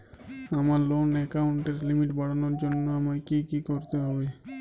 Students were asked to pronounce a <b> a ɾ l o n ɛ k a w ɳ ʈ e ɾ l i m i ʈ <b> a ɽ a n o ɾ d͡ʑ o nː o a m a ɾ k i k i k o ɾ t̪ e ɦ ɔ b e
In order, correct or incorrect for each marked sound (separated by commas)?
incorrect, correct